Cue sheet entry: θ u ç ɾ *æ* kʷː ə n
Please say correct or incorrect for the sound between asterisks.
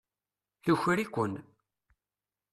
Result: incorrect: i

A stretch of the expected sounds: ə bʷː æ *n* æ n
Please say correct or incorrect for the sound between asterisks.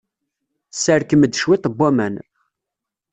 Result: incorrect: m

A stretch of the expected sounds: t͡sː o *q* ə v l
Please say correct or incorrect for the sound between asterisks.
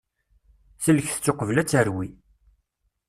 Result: correct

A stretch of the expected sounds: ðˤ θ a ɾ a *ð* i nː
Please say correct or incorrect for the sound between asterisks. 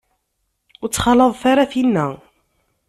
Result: incorrect: θ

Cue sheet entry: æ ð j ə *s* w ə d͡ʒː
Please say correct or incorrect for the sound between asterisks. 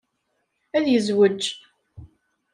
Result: incorrect: z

